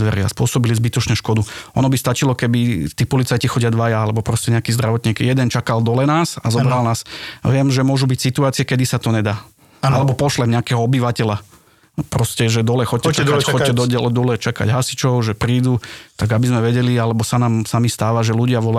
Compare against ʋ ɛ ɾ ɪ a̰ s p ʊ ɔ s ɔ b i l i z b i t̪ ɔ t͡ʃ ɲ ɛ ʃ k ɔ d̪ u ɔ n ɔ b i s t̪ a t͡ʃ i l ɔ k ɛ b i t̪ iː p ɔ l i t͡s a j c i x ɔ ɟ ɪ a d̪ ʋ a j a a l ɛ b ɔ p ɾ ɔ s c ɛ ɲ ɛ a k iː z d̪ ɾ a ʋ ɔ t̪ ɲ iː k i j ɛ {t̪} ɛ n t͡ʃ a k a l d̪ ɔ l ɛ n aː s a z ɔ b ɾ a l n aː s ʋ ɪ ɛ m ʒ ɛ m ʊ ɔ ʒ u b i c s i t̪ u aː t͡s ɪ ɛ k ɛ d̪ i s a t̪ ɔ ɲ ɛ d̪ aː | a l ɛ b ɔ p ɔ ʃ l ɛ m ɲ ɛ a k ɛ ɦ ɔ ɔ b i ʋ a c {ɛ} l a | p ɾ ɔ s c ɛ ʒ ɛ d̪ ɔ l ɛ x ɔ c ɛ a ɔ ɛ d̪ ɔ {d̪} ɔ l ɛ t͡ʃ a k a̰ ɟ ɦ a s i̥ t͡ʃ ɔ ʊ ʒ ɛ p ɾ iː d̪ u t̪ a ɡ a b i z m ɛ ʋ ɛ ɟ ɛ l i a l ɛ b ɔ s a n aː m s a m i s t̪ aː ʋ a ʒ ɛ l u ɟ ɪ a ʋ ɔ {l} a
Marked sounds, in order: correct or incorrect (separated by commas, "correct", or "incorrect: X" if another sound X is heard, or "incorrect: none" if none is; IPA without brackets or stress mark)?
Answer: incorrect: d̪, correct, correct, correct